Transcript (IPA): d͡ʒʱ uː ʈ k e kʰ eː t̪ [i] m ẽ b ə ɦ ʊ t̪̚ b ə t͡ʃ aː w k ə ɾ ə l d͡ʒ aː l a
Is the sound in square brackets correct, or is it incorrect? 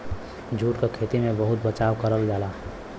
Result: correct